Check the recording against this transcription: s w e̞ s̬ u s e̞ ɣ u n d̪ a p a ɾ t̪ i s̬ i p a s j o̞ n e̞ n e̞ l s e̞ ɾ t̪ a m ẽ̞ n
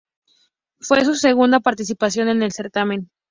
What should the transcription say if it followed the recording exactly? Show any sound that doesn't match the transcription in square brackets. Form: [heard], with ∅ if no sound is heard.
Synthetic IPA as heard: [f] w e̞ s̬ u s e̞ ɣ u n d̪ a p a ɾ t̪ i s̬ i p a s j o̞ n e̞ n e̞ l s e̞ ɾ t̪ a m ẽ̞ n